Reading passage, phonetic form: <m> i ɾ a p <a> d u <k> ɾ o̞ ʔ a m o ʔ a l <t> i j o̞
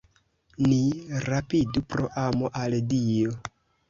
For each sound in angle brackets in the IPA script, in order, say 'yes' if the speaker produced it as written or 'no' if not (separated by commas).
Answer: no, no, no, no